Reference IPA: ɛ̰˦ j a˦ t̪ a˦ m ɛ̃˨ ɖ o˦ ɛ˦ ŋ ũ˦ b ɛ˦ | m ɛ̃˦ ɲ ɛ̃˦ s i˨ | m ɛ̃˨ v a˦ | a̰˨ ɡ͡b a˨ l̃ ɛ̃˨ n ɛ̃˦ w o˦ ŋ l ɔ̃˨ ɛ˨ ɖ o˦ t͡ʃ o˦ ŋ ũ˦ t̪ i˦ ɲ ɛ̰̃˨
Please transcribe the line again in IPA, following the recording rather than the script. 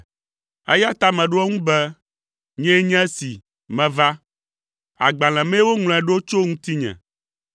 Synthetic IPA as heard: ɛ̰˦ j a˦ t̪ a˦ m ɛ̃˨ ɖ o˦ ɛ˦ ŋ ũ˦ b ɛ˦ | ɲ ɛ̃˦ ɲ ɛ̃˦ s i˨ | m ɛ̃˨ v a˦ | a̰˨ ɡ͡b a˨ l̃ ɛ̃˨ m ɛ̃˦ w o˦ ŋ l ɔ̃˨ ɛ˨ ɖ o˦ t͡ʃ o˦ ŋ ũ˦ t̪ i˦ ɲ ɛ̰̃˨